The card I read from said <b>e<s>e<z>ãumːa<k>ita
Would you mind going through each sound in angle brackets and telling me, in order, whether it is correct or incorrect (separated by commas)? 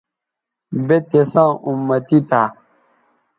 correct, incorrect, incorrect, incorrect